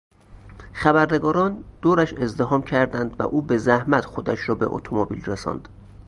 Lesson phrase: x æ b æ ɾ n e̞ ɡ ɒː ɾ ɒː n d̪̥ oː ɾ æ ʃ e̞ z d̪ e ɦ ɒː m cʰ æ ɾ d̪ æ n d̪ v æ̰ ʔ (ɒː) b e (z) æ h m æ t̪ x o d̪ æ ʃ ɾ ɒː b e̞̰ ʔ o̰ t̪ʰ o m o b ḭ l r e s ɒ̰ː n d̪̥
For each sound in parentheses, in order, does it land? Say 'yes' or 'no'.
no, yes

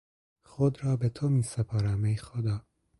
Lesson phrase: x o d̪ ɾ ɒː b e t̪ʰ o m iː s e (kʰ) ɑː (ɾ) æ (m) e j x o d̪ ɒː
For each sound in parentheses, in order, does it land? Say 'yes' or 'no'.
no, yes, yes

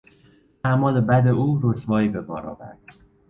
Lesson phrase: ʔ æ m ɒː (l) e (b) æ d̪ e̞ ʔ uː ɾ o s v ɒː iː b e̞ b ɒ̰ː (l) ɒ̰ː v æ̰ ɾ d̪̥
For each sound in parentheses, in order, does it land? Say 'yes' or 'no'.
yes, yes, no

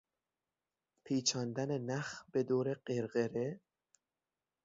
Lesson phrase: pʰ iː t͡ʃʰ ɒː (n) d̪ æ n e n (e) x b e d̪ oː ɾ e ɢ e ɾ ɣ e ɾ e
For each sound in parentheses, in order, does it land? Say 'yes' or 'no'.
yes, no

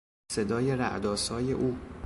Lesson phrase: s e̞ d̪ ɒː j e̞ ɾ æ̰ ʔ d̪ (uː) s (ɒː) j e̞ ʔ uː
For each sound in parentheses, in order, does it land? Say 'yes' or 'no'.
no, yes

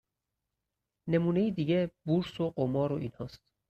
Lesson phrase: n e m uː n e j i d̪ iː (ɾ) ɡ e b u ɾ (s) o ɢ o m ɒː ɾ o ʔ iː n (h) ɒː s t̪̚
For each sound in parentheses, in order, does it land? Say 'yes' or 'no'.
no, yes, yes

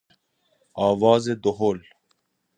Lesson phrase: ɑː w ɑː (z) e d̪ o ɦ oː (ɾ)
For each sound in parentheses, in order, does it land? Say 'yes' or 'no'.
yes, no

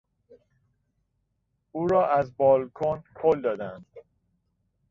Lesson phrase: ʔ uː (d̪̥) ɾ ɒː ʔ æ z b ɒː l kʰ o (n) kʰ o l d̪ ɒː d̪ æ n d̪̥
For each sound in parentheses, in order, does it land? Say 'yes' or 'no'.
no, yes

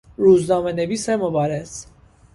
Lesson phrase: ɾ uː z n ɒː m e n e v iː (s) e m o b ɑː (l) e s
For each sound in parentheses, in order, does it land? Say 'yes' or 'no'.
yes, no

